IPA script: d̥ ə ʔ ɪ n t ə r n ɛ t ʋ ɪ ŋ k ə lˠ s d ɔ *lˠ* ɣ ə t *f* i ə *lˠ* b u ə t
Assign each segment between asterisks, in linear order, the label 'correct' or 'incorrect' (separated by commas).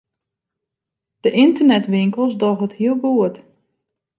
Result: incorrect, incorrect, correct